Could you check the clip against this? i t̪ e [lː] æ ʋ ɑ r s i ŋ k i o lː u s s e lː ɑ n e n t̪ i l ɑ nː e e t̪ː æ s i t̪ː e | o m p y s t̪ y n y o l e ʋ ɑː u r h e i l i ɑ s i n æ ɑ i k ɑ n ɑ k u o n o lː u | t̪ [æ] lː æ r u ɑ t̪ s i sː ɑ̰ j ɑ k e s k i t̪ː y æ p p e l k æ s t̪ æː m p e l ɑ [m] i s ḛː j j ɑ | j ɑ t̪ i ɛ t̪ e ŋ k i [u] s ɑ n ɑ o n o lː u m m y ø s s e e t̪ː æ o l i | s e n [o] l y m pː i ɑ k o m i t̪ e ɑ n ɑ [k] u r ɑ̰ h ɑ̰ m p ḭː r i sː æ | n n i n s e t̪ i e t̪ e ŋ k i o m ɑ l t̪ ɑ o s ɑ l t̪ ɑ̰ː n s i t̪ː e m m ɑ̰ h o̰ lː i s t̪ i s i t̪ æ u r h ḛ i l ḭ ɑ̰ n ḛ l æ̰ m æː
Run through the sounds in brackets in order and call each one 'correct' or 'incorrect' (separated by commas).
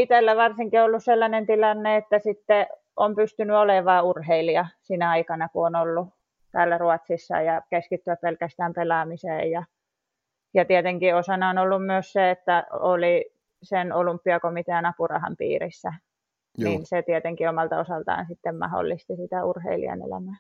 correct, incorrect, correct, incorrect, correct, incorrect